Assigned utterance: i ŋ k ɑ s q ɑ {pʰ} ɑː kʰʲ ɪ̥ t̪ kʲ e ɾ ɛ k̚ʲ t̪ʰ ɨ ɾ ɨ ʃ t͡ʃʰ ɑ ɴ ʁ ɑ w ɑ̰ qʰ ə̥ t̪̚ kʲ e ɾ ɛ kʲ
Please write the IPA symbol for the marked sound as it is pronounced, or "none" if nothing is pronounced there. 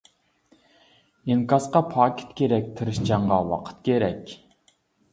pʰ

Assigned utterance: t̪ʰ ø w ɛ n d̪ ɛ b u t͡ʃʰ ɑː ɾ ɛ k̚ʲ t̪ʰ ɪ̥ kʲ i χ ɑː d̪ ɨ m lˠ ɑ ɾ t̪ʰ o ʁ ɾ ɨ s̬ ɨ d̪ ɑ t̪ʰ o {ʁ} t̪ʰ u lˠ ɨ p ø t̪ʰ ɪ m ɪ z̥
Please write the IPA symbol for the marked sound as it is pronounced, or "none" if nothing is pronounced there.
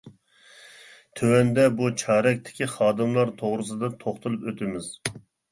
χ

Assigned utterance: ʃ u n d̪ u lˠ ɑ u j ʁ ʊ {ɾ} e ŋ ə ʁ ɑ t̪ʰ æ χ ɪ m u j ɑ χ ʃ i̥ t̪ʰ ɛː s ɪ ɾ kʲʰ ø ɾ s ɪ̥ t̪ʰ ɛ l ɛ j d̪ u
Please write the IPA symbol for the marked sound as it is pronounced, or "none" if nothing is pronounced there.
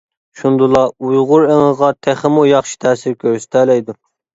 ɾ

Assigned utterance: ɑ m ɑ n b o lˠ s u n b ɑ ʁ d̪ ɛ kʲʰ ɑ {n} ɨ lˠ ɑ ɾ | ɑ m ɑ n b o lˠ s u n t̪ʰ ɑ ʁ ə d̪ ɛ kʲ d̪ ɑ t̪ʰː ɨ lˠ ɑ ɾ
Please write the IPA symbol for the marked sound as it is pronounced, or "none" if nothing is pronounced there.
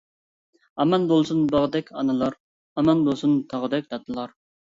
n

